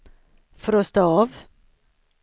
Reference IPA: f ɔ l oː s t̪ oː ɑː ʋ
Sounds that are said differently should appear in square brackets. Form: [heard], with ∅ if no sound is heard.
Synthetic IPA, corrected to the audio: f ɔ [ɾ] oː s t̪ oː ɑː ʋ